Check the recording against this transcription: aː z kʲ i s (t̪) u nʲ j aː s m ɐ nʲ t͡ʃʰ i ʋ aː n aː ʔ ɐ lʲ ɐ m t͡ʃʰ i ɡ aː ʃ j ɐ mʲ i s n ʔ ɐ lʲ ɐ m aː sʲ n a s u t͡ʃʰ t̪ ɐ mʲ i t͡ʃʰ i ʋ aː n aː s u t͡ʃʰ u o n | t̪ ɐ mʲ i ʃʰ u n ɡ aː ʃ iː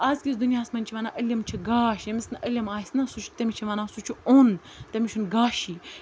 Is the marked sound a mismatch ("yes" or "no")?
yes